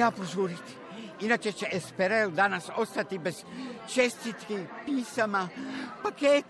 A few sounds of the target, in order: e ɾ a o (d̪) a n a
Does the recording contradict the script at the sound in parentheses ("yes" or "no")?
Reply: no